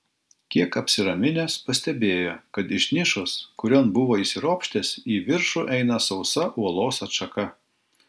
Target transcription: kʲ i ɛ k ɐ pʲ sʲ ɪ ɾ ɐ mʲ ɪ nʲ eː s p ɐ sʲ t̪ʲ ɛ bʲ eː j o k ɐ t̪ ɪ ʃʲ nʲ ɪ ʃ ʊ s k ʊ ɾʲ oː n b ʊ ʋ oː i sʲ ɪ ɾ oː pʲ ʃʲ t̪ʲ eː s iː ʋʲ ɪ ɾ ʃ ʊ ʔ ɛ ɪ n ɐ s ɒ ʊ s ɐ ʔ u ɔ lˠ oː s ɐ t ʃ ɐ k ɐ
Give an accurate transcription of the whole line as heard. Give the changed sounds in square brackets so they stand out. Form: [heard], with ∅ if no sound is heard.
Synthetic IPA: kʲ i ɛ k ɐ pʲ sʲ ɪ ɾ ɐ mʲ ɪ nʲ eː s p ɐ sʲ t̪ʲ ɛ bʲ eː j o k ɐ t̪ ɪ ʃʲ nʲ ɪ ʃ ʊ s k ʊ ɾʲ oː n b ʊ ʋ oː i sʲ ɪ ɾ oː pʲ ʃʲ t̪ʲ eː s iː ʋʲ ɪ ɾ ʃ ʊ ʔ ɛ ɪ n ɐ s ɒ ʊ s ɐ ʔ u ɔ lˠ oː s ɐ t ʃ ɐ k ɐ